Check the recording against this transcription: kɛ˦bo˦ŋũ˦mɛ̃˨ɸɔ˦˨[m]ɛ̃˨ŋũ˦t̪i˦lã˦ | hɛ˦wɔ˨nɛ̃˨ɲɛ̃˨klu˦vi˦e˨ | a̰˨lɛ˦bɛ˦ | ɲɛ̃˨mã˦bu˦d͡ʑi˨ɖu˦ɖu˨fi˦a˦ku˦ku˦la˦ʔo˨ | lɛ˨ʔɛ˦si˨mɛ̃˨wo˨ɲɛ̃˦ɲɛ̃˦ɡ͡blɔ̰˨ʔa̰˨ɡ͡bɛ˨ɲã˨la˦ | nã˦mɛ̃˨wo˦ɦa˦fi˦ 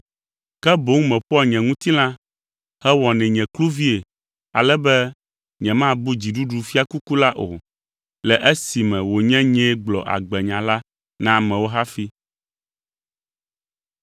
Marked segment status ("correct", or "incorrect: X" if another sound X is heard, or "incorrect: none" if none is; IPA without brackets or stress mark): incorrect: ɲ